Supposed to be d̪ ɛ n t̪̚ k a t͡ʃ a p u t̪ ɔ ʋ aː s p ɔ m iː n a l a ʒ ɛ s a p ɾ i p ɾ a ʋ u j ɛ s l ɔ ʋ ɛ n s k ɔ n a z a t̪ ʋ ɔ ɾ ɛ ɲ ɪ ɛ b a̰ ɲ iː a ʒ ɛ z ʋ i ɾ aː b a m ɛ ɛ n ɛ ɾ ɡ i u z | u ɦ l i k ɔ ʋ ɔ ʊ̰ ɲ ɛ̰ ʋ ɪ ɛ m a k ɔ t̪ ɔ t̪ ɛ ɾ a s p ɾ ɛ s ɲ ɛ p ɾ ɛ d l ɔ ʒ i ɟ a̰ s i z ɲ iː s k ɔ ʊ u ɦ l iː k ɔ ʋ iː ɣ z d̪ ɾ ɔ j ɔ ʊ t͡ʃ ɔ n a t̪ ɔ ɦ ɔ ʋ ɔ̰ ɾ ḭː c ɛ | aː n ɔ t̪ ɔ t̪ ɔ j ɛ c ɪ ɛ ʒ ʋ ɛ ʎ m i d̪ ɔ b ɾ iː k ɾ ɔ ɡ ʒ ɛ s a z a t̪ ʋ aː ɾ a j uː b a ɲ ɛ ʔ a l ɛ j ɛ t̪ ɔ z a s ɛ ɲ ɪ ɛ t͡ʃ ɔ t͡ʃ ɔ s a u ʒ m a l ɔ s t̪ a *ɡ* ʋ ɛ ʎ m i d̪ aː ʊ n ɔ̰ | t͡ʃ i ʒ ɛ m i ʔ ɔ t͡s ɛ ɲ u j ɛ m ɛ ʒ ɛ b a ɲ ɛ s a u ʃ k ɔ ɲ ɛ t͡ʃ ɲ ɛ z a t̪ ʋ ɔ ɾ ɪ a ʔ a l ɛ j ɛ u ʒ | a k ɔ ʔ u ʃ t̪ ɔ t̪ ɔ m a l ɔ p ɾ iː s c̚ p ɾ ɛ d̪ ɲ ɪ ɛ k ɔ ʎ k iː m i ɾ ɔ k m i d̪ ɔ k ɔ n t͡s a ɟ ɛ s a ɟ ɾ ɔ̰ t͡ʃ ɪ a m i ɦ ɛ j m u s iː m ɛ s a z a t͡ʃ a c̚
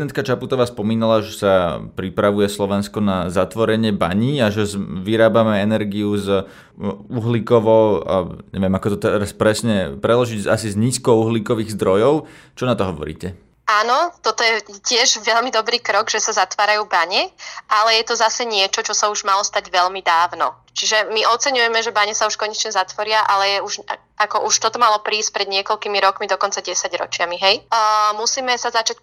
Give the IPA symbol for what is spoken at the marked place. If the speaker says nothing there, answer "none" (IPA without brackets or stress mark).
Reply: ɟ